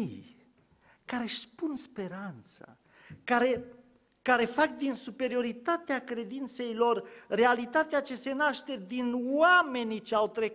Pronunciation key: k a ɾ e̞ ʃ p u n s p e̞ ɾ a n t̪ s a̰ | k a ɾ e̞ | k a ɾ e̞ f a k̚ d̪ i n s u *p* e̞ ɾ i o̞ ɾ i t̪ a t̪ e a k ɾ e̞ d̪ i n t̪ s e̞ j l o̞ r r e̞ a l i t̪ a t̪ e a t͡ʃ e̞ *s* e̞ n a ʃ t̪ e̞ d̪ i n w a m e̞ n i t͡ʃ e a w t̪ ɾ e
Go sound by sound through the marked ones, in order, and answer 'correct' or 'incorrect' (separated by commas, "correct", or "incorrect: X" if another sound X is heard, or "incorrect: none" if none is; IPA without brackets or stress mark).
correct, correct